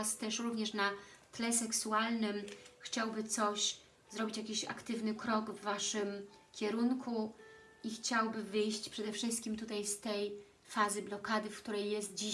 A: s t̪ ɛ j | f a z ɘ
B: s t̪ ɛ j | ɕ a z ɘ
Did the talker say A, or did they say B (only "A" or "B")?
A